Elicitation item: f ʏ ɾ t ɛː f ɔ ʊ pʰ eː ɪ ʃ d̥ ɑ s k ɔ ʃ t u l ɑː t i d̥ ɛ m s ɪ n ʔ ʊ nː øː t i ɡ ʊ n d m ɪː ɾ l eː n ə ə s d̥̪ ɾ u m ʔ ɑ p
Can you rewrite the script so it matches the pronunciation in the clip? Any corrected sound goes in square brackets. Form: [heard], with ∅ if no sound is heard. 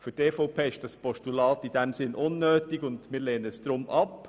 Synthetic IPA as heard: f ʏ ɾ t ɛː f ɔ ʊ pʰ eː ɪ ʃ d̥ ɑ s [p] ɔ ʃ t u l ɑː t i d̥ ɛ m s ɪ n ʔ ʊ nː øː t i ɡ ʊ n d m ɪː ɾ l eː n ə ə s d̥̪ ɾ [ʊ] m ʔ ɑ p

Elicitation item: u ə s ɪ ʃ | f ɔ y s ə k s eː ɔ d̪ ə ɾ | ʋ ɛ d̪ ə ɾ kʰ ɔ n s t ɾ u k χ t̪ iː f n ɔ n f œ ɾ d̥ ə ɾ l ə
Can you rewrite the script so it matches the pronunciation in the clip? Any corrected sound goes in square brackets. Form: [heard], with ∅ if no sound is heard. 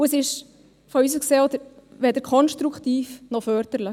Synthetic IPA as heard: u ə s ɪ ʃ | f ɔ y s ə k s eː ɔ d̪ ə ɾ | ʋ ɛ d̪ ə ɾ kʰ ɔ n [ʃ] t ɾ u k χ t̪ iː f n ɔ [∅] f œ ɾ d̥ ə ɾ l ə

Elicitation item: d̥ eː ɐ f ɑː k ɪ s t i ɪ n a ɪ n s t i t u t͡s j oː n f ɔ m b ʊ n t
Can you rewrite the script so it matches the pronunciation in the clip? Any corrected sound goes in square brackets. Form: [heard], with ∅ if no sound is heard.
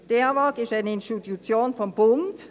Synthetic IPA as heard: d̥ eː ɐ [v] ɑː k ɪ s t [a] ɪ n [ə] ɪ n s t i t u t͡s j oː n f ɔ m b ʊ n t

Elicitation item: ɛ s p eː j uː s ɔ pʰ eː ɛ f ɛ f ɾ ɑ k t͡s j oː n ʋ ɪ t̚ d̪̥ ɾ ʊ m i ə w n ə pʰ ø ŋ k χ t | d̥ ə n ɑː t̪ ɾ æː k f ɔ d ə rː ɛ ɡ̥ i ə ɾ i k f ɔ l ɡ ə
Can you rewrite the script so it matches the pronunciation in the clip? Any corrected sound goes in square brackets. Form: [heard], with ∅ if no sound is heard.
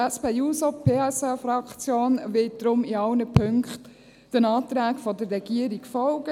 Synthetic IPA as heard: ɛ s p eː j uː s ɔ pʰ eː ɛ [s] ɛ f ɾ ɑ k t͡s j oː n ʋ ɪ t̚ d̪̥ ɾ ʊ m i [ɑ] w n ə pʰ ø ŋ k χ t | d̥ ə n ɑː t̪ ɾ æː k f ɔ d ə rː ɛ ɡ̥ i ə ɾ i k f ɔ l ɡ ə

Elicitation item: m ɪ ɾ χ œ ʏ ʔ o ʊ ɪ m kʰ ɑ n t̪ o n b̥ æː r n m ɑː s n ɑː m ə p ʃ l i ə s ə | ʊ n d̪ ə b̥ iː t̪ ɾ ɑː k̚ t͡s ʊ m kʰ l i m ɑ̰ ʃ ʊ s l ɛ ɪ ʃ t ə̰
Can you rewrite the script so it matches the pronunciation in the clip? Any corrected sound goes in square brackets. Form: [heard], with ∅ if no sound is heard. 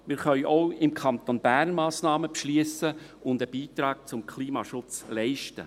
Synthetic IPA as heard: m ɪ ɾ χ œ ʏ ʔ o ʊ ɪ m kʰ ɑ n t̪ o n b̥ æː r n m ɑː s n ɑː m ə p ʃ l i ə s ə | ʊ n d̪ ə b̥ iː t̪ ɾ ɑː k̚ t͡s ʊ m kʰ l [iː] m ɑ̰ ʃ ʊ [t͡s] l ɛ ɪ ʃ t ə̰

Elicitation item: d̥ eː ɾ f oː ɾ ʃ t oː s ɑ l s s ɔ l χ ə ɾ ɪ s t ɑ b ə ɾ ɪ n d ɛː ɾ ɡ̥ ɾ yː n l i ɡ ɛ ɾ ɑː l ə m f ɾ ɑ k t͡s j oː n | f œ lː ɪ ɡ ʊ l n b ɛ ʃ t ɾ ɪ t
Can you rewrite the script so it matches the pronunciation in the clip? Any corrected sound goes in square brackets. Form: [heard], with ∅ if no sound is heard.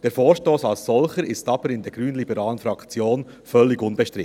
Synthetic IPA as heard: d̥ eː ɾ f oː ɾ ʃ t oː s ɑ l s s ɔ l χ ə ɾ ɪ s t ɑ b ə ɾ ɪ n d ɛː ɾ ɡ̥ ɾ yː n l i [b] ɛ ɾ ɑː l ə [n] f ɾ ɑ k t͡s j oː n | f œ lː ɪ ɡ ʊ [∅] n b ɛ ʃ t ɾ ɪ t

